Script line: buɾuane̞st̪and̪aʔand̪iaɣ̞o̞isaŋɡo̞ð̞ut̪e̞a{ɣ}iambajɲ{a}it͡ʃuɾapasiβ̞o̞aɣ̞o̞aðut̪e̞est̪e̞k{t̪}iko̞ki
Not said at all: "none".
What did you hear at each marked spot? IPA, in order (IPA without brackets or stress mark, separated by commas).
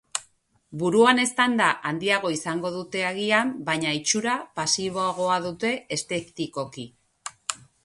ɣ, a, t̪